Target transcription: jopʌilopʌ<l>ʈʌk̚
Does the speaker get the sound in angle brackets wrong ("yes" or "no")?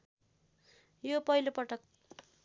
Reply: yes